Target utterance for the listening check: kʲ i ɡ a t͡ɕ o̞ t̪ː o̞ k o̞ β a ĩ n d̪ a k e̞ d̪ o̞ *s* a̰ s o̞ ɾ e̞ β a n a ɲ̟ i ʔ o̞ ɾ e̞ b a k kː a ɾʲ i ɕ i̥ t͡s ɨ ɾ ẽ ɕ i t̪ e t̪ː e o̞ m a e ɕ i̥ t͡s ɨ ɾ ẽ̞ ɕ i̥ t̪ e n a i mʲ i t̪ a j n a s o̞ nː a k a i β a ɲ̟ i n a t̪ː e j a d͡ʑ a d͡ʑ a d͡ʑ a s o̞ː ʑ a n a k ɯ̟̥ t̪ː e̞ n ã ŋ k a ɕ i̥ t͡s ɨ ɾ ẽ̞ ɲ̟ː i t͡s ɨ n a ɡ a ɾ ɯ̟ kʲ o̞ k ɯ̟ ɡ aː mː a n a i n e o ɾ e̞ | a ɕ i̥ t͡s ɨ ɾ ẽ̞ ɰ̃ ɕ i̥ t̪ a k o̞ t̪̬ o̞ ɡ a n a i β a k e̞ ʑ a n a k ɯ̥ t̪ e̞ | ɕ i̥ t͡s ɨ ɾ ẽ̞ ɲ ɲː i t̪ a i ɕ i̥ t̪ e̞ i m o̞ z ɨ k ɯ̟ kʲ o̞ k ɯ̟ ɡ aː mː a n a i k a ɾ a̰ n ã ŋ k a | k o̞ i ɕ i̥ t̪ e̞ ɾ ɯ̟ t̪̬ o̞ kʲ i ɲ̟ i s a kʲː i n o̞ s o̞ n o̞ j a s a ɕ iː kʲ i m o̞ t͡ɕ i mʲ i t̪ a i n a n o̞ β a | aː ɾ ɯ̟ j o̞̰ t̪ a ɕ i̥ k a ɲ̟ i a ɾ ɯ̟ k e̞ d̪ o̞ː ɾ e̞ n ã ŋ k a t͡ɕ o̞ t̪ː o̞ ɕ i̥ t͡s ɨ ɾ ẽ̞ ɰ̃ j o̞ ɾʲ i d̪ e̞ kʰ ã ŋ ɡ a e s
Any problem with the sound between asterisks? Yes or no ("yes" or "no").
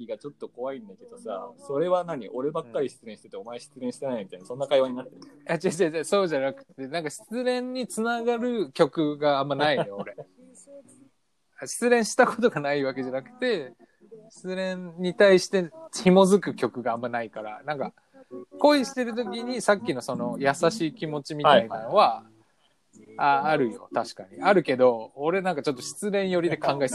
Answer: no